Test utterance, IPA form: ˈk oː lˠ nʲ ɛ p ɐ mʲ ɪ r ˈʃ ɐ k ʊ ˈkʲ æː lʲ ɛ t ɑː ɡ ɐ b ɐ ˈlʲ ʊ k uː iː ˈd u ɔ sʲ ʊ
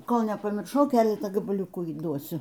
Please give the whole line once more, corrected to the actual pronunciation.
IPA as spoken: ˈk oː lˠ nʲ ɛ p ɐ mʲ ɪ r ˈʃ ɐ ʊ ˈkʲ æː lʲ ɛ t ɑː ɡ ɐ b ɐ ˈlʲ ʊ k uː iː ˈd u ɔ sʲ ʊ